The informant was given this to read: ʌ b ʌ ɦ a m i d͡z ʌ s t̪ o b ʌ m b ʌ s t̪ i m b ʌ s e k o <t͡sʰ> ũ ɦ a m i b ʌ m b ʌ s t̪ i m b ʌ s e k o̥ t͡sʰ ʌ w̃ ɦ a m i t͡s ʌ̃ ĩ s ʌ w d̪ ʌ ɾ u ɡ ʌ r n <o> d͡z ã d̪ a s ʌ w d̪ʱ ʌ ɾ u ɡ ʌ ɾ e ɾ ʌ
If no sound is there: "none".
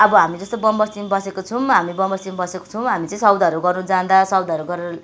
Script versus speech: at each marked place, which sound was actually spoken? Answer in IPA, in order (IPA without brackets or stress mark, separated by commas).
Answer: t͡sʰ, u